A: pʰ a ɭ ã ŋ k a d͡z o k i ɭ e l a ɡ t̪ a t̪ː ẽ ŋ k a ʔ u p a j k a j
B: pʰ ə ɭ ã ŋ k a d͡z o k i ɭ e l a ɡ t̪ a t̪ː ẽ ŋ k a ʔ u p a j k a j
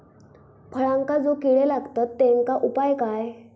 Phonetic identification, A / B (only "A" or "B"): B